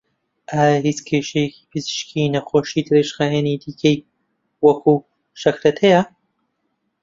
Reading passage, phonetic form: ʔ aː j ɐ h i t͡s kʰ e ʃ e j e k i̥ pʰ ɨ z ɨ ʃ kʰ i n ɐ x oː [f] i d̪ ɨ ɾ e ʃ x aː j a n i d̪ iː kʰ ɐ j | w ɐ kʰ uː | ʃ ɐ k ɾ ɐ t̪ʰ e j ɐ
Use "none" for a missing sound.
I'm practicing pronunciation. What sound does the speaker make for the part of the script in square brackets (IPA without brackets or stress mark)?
ʃ